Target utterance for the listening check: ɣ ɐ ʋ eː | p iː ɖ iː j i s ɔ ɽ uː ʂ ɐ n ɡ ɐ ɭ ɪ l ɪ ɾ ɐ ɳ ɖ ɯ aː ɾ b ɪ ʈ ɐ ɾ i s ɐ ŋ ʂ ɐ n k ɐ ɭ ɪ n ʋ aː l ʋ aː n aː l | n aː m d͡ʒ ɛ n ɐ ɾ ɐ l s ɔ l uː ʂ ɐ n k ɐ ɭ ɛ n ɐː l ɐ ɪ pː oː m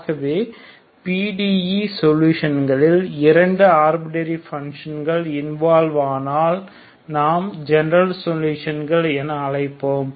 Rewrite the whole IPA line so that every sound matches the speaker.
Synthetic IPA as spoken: ɣ ɐ ʋ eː | p iː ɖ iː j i s ɔ l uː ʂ ɐ n ɡ ɐ ɭ ɪ l ɪ ɾ ɐ ɳ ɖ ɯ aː ɾ b ɪ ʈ ɐ ɾ i f ɐ ŋ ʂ ɐ n ɡ ɐ ɭ ɪ n ʋ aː l ʋ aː n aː l | n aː m d͡ʒ ɛ n ɐ ɾ ɐ l s ɔ l uː ʂ ɐ n ɡ ɐ ɭ ɛ n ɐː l ɐ ɪ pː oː m